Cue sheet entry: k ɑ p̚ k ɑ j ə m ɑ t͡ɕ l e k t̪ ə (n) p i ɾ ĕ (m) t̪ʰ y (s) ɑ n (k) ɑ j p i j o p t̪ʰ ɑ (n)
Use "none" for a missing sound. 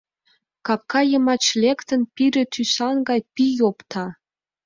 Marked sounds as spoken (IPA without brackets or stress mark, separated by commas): n, none, s, ɡ, none